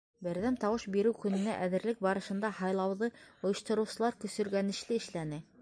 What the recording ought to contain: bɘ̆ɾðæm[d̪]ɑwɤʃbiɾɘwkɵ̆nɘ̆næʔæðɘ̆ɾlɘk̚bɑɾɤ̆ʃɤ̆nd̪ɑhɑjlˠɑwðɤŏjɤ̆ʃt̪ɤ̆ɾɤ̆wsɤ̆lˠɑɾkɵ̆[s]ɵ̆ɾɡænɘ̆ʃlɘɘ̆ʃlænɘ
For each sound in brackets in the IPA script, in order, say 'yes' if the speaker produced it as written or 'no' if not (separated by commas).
no, yes